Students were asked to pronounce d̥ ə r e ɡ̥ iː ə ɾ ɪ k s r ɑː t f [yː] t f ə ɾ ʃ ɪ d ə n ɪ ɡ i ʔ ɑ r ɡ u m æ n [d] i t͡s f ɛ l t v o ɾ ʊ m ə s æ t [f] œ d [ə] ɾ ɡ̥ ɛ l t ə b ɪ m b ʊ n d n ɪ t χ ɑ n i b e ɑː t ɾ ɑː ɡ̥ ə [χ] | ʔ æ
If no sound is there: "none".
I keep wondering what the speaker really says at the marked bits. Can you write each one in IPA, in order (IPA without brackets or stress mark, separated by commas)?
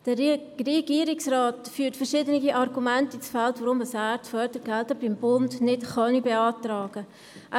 yː, t, f, ə, none